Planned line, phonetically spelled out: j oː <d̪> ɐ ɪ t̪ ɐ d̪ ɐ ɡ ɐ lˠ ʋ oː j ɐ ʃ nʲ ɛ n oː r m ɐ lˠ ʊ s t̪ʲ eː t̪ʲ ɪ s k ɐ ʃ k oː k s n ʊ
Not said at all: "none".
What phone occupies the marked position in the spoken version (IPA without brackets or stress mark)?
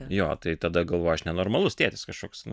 t̪